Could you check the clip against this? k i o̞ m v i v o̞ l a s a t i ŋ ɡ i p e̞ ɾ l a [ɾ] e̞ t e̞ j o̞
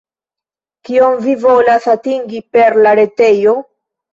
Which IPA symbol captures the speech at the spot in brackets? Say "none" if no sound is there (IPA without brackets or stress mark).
ɾ